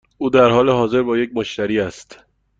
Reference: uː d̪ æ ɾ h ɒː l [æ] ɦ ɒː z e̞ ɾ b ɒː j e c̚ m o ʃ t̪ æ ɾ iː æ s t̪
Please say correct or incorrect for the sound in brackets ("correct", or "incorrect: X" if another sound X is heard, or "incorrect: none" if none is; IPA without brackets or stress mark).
incorrect: e